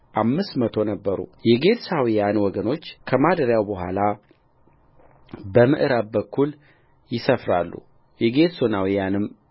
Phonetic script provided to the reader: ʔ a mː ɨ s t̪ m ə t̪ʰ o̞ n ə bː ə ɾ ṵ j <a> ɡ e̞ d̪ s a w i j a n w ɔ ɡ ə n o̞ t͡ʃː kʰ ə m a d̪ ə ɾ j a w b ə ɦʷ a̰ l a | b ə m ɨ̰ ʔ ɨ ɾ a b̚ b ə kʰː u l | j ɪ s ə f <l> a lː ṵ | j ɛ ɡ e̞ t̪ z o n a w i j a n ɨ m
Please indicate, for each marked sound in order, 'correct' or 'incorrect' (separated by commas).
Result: incorrect, incorrect